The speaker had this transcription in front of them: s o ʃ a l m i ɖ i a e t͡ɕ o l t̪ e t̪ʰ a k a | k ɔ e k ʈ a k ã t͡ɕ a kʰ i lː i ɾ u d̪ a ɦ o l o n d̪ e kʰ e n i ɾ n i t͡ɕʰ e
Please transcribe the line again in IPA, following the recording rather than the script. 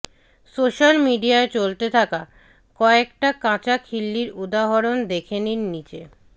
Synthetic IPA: s o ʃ a l m i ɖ i a e t͡ɕ o l t̪ e t̪ʰ a k a | k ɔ e k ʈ a k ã t͡ɕ a kʰ i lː i ɾ u d̪ a ɦ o ɾ o n d̪ e kʰ e n i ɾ n i t͡ɕ e

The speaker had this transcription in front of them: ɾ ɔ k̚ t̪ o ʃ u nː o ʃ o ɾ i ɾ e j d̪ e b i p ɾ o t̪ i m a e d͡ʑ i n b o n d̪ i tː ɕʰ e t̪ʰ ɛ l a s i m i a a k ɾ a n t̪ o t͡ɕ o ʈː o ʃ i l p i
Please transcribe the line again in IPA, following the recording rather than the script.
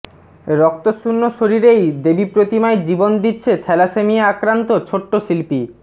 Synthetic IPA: ɾ ɔ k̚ t̪ o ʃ u nː o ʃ o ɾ i ɾ e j d̪ e b i p ɾ o t̪ i m a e d͡ʑ i b o n d̪ i tː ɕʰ e t̪ʰ ɛ l a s e m i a a k ɾ a n t̪ o t͡ɕʰ o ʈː o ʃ i l p i

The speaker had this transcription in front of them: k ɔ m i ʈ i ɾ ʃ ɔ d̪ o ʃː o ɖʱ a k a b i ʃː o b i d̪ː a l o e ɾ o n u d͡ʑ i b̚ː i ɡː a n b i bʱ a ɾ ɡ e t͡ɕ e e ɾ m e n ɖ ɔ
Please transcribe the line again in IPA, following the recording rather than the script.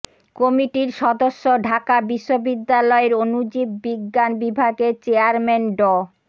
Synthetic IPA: k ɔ m i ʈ i ɾ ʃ ɔ d̪ o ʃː o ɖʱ a k a b i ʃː o b i d̪ː a l ɔ e ɾ o n u d͡ʑ i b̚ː i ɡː a n b i bʱ a ɡ e t͡ɕ e a ɾ m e n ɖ ɔ

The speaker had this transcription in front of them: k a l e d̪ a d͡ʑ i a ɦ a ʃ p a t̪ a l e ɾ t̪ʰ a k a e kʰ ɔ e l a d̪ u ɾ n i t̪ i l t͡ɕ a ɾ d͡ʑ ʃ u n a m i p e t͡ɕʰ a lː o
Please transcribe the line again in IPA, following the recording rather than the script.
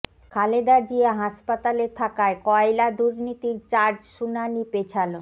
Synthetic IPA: kʰ a l e d̪ a d͡ʑ i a ɦ a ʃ p a t̪ a l e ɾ t̪ʰ a k a e k ɔ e l a d̪ u ɾ n i t̪ i ɾ t͡ɕ a ɾ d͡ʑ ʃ u n a n i p e t͡ɕʰ a l o

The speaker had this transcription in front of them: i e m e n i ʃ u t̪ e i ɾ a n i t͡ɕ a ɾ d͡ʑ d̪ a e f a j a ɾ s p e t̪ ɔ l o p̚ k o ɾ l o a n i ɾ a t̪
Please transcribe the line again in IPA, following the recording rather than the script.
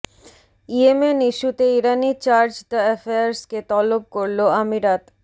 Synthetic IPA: i e m e n i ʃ u t̪ e i ɾ a n i t͡ɕ a ɾ d͡ʑ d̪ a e f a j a ɾ s k e t̪ ɔ l o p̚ k o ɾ l o a m i ɾ a t̪

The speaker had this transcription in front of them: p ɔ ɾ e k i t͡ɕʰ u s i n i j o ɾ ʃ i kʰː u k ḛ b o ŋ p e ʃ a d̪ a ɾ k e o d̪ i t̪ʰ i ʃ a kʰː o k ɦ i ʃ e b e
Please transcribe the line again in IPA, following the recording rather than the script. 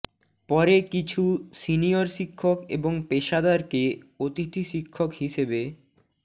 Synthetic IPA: p ɔ ɾ e k i t͡ɕʰ u s i n i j o ɾ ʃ i kʰː o k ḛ b o ŋ p e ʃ a d̪ a ɾ k e o t̪ i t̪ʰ i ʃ i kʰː o k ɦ i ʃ e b e

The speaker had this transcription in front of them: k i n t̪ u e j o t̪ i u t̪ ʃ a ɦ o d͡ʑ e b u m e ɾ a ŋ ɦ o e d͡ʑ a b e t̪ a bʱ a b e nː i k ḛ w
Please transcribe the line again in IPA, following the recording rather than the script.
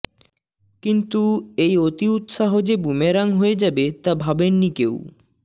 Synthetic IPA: k i n t̪ u e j o t̪ i u t̪ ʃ a ɦ o d͡ʑ e b u m e ɾ a ŋ ɦ o e d͡ʑ a b e t̪ a bʱ a b e nː i k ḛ w

